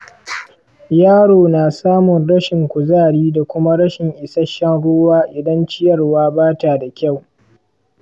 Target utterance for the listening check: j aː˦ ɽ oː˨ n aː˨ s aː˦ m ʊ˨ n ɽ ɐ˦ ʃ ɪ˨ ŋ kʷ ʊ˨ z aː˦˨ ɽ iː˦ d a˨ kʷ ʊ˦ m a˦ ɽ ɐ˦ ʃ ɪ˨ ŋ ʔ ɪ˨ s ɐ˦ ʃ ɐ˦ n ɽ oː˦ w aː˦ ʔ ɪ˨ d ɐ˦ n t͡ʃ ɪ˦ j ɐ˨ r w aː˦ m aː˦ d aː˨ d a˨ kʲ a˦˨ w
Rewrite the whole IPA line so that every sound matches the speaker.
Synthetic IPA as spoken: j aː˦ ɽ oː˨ n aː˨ s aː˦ m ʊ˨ n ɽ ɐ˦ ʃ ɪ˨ ŋ kʷ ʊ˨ z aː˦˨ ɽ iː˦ d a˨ kʷ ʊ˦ m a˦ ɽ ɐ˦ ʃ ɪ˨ ŋ ʔ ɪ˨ s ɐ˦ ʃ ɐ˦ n ɽ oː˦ w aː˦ ʔ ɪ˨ d ɐ˦ n t͡ʃ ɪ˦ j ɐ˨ r w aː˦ b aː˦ t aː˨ d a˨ kʲ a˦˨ w